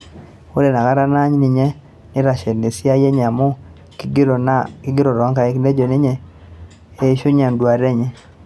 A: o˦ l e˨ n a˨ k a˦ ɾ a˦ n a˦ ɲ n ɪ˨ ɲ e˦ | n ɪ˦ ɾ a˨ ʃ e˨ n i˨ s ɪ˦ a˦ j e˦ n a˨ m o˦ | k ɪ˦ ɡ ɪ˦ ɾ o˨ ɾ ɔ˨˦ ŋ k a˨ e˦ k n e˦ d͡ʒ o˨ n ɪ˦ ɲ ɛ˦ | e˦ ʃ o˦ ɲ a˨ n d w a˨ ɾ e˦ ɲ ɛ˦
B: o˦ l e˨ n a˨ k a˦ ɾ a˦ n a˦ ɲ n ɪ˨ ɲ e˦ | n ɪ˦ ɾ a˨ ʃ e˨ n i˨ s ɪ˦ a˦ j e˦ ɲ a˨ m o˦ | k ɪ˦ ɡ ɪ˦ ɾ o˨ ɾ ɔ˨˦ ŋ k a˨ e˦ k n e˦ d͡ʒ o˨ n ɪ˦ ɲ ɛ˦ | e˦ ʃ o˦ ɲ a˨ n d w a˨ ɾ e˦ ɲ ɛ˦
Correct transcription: B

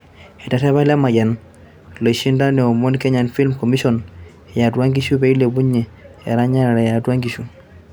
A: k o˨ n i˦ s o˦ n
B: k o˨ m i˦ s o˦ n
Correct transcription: B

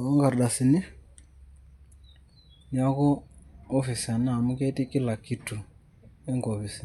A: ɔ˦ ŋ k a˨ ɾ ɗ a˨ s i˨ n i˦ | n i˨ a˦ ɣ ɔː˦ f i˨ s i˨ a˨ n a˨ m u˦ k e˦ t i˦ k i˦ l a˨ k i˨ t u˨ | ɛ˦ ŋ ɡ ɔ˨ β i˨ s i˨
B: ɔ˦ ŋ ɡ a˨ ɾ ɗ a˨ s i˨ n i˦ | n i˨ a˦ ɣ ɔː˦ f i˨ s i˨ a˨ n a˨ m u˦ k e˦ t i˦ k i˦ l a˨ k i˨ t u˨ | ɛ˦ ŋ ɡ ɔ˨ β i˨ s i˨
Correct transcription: B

